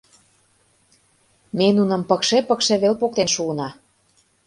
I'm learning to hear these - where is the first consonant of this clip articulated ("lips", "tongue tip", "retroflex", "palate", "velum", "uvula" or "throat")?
lips